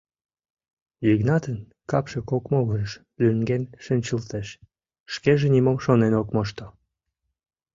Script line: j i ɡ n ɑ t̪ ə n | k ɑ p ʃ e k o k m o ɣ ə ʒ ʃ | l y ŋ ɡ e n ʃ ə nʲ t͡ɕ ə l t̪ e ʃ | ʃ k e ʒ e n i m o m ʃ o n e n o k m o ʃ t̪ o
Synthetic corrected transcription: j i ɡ n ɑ t̪ ə n | k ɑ p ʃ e k o k m o ɣ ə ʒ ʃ | l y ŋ ɡ e n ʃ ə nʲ t͡ɕ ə l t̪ e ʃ | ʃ k e ʒ e n i m o m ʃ o n e n o k m o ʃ t̪ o